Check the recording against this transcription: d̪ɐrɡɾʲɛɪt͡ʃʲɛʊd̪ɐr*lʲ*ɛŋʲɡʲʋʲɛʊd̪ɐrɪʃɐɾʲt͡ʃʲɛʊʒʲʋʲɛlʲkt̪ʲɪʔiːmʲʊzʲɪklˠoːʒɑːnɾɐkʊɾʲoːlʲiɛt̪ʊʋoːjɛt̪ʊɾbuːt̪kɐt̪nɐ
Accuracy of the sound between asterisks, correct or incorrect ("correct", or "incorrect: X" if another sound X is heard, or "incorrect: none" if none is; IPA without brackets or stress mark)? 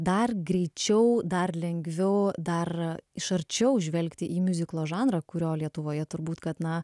correct